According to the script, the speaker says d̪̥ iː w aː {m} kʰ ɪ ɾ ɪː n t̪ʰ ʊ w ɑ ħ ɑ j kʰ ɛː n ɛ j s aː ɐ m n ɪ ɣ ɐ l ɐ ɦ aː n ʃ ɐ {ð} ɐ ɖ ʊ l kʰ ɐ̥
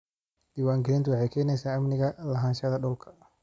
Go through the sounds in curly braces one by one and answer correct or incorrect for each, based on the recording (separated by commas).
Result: incorrect, correct